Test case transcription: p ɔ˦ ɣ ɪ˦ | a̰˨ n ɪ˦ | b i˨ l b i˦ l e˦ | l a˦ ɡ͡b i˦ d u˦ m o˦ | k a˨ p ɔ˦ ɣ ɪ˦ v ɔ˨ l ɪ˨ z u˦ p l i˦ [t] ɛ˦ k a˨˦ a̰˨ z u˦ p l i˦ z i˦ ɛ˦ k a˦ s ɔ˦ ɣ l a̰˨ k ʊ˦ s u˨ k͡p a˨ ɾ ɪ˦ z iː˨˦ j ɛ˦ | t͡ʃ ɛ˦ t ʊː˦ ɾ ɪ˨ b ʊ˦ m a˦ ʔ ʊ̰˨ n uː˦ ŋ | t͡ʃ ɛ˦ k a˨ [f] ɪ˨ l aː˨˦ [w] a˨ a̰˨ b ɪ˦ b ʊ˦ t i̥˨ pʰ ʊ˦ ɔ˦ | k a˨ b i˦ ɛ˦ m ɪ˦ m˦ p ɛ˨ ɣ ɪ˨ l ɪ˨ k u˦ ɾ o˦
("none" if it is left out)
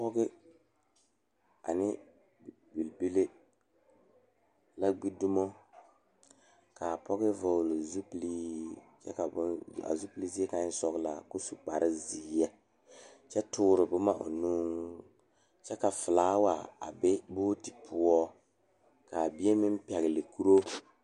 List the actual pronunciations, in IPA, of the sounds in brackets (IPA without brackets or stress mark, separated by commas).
t͡ʃ, f, w